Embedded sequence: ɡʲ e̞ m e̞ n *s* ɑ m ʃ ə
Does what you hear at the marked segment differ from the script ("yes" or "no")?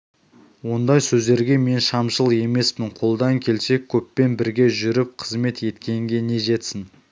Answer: yes